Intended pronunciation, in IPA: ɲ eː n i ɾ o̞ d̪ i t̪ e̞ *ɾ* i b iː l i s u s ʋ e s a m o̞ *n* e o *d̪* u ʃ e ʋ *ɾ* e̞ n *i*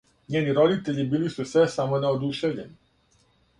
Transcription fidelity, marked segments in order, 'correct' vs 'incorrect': incorrect: ʎ, correct, correct, incorrect: ʎ, correct

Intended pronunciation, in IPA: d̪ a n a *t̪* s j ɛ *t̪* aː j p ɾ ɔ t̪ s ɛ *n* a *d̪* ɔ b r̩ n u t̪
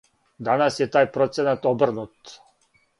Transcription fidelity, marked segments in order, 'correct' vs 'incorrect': incorrect: none, correct, correct, incorrect: t̪

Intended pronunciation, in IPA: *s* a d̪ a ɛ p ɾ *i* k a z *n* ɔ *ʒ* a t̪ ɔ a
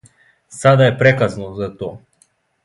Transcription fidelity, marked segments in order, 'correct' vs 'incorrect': correct, incorrect: ɛ, correct, incorrect: z

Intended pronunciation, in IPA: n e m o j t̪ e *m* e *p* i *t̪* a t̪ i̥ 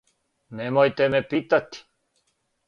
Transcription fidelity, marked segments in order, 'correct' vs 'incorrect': correct, correct, correct

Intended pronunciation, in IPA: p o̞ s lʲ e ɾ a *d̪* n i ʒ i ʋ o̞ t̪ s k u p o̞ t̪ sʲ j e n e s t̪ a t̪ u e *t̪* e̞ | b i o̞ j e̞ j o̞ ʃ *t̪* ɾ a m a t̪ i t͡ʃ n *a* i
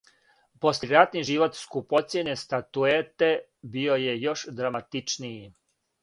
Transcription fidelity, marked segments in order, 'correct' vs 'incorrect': incorrect: t̪, correct, incorrect: d̪, incorrect: i

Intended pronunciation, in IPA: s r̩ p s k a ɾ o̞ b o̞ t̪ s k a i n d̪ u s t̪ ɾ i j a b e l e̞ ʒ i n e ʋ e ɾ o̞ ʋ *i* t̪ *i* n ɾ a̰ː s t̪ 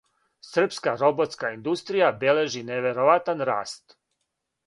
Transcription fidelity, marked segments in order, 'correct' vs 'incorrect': incorrect: a, incorrect: a

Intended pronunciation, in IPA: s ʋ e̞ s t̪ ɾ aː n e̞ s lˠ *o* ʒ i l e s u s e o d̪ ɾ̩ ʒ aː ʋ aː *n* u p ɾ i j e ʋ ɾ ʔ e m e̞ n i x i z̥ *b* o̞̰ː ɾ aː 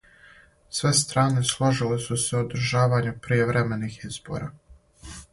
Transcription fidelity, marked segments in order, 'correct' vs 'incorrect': correct, incorrect: ɲ, correct

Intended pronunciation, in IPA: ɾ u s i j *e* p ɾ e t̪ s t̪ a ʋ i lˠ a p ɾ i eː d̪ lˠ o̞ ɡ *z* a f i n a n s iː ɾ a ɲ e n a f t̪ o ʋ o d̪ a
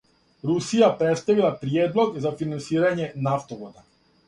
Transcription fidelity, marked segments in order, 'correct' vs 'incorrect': incorrect: a, correct

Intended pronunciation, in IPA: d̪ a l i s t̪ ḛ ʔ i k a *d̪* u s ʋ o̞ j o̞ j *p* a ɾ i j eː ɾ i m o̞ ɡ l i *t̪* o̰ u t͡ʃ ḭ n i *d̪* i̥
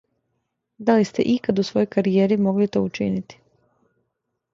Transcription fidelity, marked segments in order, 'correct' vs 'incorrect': correct, incorrect: k, correct, incorrect: t̪

